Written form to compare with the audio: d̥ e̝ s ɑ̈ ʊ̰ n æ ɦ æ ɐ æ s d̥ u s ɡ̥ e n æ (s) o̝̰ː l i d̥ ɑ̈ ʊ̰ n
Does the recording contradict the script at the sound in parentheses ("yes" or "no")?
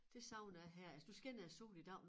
no